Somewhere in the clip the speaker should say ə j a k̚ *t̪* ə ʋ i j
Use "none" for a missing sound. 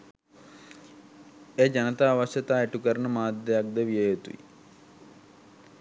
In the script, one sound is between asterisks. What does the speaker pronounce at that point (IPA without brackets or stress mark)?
d̪